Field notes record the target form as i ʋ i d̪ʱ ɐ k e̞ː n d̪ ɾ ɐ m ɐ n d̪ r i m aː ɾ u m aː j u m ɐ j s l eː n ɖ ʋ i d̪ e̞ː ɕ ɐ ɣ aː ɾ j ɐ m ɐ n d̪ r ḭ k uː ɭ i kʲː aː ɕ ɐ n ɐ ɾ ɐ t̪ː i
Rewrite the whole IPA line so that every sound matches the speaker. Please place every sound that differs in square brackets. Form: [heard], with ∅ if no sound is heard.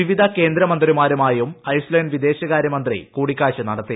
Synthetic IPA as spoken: i ʋ i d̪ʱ ɐ k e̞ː n d̪ ɾ ɐ m ɐ n d̪ r i m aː ɾ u m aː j u m ɐ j s l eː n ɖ ʋ i d̪ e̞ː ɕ ɐ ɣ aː ɾ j ɐ m ɐ n d̪ r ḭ k uː [ɽ] i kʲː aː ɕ ɐ n ɐ [ɽ] ɐ t̪ː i